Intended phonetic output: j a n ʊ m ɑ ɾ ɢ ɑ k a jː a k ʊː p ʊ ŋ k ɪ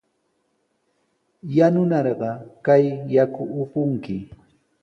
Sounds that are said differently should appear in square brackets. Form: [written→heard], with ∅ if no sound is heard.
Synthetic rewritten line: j a n ʊ [m→n] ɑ ɾ ɢ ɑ k a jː a k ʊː p ʊ ŋ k ɪ